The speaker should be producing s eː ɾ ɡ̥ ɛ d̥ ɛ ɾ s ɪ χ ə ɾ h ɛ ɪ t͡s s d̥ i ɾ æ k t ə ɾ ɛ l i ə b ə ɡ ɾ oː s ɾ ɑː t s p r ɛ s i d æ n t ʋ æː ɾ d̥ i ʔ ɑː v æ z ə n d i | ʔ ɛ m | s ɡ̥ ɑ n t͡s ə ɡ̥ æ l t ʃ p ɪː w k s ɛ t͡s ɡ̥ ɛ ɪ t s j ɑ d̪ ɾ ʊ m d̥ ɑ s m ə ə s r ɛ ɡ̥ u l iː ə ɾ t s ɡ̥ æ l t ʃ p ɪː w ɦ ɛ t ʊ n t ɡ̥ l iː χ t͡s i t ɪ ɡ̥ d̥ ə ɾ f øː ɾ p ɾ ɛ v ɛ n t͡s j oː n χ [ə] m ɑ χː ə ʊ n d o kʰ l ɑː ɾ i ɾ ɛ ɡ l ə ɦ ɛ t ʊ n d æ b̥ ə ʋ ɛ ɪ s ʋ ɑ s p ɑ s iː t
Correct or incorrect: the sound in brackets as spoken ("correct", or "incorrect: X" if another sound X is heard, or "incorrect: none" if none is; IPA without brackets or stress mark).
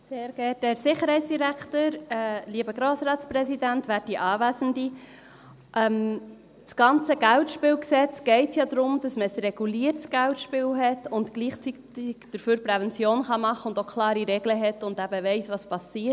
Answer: incorrect: ɑ